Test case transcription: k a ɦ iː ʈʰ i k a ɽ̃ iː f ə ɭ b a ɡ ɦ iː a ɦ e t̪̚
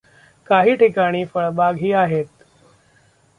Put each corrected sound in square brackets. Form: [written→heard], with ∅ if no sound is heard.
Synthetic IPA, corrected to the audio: k a ɦ iː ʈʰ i k a ɽ̃ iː f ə ɭ b a ɡ ɦ iː a ɦ e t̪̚